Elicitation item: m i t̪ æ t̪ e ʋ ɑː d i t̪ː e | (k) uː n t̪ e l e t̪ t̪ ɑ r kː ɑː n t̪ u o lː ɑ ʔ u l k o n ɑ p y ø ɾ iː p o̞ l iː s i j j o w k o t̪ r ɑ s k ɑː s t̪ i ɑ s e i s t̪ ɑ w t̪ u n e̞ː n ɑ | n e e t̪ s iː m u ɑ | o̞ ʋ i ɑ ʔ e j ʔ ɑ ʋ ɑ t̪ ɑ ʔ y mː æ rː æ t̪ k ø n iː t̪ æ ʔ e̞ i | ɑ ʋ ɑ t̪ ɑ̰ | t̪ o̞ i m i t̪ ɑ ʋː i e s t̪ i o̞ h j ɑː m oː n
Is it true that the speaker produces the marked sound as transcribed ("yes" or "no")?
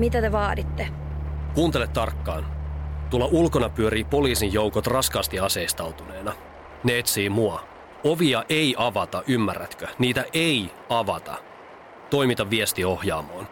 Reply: yes